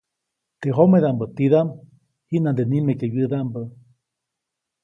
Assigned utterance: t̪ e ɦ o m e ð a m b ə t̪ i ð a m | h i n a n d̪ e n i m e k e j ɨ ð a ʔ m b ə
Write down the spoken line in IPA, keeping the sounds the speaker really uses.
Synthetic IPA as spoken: t̪ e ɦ o m e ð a m b ə t̪ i ð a m | h i n a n d̪ e n i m e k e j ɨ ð a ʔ m b ə

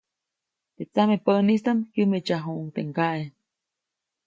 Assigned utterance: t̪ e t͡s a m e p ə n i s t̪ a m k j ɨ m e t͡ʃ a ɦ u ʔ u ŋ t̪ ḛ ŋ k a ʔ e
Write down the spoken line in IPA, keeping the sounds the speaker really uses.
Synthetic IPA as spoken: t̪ e t͡s a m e p ə n i s t̪ a m k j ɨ m e t͡ʃ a ɦ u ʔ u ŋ t̪ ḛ ŋ k a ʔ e

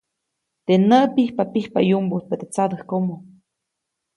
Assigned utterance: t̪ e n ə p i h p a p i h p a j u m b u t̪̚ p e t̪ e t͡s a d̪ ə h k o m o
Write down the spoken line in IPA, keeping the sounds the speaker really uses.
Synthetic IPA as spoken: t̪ e n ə p i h p a p i h p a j u m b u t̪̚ p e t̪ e t͡s a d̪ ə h k o m o

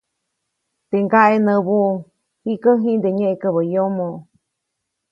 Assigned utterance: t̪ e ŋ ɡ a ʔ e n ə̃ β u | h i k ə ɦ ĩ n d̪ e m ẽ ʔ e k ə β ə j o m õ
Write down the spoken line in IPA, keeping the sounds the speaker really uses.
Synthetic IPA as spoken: t̪ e ŋ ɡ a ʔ e n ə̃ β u | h i k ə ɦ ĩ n d̪ e ɲ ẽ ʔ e k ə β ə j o m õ

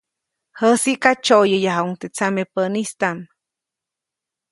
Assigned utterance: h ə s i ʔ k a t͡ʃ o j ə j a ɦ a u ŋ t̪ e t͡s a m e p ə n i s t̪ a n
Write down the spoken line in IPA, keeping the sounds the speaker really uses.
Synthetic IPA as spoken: h ə s i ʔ k a t͡ʃ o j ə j a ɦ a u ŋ t̪ e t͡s a m e p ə n i s t̪ a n

